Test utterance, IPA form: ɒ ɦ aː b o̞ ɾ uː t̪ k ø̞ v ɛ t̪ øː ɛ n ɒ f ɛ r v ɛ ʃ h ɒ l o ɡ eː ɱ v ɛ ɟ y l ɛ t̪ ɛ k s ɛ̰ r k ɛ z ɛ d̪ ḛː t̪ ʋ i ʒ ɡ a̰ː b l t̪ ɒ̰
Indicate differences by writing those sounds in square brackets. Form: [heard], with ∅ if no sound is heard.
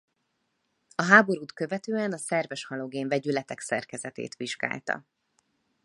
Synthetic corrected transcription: ɒ ɦ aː b o̞ ɾ uː t̪ k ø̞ v ɛ t̪ øː ɛ n ɒ [s] ɛ r v ɛ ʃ h ɒ l o ɡ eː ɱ v ɛ ɟ y l ɛ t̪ ɛ k s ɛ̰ r k ɛ z ɛ [t̪] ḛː t̪ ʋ i ʒ ɡ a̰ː [∅] l t̪ ɒ̰